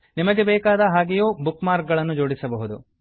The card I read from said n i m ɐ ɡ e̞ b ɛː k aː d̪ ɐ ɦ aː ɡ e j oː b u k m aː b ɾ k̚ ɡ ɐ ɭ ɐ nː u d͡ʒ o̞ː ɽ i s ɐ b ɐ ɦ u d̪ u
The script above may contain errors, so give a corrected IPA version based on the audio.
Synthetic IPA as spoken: n i m ɐ ɡ e̞ b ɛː k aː d̪ ɐ ɦ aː ɡ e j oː b u k m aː ɾ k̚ ɡ ɐ ɭ ɐ nː u d͡ʒ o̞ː ɽ i s ɐ b ɐ ɦ u d̪ u